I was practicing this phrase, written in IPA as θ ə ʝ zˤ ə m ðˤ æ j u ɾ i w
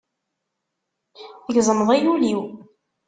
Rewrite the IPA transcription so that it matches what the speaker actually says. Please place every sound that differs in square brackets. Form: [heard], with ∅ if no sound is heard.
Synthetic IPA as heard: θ ə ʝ zˤ ə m ðˤ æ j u [l] i w